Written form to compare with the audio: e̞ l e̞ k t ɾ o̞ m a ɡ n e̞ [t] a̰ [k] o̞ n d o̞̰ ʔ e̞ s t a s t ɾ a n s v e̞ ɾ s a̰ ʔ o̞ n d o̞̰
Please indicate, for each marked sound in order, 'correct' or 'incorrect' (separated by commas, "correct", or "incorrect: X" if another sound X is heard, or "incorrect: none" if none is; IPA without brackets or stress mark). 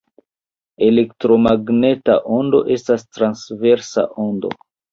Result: correct, incorrect: ʔ